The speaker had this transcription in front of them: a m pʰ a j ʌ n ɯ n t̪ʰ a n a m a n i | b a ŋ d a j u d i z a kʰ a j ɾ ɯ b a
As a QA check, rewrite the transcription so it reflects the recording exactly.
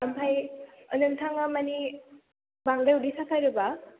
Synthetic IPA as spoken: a m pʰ a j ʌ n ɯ n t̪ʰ a ŋ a m a n i | b a ŋ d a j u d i s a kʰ a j ɾ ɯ b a